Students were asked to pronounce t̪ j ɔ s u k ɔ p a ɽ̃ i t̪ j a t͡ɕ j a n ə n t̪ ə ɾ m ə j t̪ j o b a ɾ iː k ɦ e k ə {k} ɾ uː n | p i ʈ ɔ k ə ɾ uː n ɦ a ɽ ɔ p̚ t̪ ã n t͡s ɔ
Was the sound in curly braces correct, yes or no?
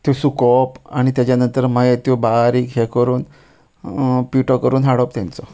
no